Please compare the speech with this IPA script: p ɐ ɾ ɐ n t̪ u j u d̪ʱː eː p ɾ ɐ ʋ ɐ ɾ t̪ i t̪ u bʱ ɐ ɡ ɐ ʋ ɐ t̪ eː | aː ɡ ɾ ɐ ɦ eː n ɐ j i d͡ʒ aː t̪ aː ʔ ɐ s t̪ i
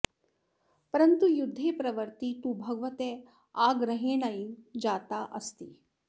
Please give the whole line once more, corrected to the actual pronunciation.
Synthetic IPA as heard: p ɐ ɾ ɐ n t̪ u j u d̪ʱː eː p ɾ ɐ ʋ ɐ ɾ t̪ i t̪ u bʱ ɐ ɡ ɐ ʋ ɐ t̪ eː | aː ɡ ɾ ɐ ɦ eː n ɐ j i d͡ʒ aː t̪ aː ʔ ɐ s t̪ i